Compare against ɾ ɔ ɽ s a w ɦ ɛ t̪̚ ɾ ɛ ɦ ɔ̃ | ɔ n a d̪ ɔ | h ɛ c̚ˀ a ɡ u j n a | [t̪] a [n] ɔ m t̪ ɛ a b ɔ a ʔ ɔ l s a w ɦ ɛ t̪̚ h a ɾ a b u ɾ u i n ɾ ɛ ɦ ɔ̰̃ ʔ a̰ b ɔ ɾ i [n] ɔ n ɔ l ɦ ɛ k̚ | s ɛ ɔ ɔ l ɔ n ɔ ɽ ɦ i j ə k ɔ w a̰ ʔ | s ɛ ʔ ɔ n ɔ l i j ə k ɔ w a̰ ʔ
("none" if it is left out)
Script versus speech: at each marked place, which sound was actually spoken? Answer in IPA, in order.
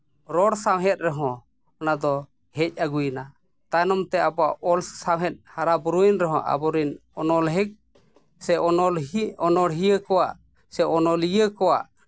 t̪, n, n

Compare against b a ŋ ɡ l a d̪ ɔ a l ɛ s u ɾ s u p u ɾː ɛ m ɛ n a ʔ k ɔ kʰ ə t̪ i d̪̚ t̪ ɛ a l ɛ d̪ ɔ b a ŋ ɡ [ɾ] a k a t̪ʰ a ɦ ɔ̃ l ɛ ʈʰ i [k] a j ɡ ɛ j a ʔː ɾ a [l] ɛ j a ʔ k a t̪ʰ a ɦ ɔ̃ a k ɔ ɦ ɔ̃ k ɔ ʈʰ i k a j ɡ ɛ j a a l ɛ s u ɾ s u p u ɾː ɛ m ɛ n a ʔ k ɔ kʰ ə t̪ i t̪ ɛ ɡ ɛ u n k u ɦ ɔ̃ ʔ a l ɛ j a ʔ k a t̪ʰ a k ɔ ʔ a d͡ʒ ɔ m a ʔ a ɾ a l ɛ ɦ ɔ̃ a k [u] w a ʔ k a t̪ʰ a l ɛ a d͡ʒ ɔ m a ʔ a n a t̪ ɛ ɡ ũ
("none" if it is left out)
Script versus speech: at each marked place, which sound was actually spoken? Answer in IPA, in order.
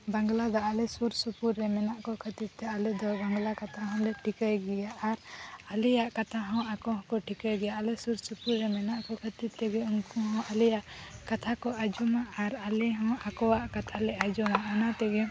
l, k, l, ɔ

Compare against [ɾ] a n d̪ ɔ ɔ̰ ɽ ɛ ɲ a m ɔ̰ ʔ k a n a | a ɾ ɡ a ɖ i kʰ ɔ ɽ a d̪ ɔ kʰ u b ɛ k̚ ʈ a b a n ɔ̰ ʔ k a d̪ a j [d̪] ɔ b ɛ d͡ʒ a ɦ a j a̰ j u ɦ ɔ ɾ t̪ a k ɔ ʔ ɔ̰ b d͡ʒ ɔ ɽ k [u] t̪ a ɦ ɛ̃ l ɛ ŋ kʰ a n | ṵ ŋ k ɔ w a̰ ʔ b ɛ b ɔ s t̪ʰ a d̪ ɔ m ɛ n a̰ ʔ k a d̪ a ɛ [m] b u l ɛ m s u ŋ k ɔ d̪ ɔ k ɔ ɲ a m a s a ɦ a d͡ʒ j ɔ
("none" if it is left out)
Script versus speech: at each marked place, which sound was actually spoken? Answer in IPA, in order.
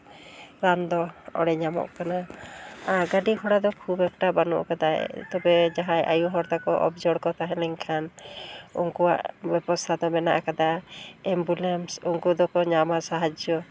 ɾ, t̪, ɔ, m

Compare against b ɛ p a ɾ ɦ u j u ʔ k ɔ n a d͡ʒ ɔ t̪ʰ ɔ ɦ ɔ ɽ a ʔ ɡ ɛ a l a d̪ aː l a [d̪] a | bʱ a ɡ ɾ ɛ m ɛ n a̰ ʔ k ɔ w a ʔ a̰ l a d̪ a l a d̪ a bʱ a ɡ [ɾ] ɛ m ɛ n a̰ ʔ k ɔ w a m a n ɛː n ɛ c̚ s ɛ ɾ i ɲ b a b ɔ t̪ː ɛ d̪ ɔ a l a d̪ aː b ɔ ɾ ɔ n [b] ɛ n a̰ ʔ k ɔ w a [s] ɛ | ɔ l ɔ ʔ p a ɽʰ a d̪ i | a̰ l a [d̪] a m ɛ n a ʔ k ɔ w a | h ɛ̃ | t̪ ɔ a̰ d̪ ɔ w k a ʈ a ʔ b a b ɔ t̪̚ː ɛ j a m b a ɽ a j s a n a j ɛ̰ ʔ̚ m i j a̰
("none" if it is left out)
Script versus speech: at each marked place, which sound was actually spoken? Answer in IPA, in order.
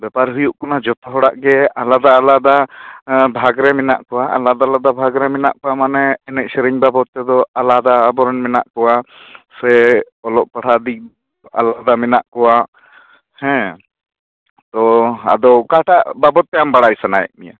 d̪, ɾ, m, s, d̪

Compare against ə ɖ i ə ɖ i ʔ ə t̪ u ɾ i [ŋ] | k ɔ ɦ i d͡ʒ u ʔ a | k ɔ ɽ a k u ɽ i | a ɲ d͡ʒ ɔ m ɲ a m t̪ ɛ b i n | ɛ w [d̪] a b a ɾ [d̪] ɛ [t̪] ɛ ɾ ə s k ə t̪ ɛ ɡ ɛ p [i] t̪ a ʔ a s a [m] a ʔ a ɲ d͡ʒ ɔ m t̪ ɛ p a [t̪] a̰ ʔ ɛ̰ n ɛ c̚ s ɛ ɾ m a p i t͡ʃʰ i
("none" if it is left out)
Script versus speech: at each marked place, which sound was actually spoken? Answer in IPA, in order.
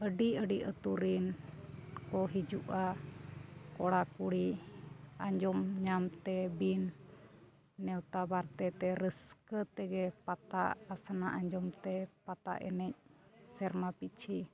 n, t̪, t̪, t̪, a, n, t̪

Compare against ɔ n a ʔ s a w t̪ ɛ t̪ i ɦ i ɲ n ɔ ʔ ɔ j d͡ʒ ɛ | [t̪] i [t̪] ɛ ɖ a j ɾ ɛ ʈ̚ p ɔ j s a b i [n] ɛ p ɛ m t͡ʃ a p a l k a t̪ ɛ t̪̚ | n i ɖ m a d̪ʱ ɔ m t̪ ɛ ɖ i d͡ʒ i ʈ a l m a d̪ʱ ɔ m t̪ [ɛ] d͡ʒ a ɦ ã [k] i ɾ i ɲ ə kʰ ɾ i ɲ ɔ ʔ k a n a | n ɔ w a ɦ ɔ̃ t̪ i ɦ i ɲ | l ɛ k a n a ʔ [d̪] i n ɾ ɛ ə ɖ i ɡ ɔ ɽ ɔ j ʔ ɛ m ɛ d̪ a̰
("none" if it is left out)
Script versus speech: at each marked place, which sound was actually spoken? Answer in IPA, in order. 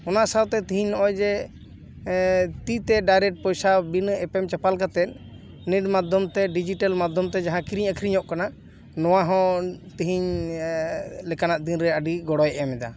t̪, t̪, n, ɛ, k, d̪

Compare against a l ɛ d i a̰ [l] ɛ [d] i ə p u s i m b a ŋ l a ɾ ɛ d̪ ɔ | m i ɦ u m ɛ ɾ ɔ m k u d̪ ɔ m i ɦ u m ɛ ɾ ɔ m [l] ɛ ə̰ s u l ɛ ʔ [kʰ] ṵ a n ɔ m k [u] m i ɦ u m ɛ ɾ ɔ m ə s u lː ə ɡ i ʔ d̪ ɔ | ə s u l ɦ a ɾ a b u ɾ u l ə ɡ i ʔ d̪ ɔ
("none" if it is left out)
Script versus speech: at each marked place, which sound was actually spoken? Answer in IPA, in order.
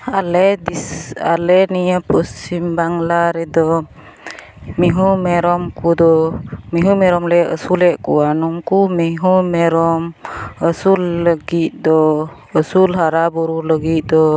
l, n, l, k, u

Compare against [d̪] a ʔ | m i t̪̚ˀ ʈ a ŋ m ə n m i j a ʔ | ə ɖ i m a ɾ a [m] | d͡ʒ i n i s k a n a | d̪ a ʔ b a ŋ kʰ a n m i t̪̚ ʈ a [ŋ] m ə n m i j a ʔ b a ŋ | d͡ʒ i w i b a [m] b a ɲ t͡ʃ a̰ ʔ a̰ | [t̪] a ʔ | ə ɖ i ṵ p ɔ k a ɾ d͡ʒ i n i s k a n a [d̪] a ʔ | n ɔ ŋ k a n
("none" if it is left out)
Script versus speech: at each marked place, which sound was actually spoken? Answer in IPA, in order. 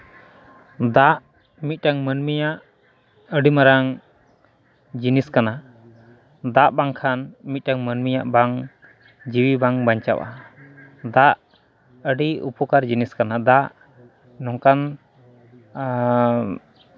d̪, ŋ, ŋ, ŋ, d̪, d̪

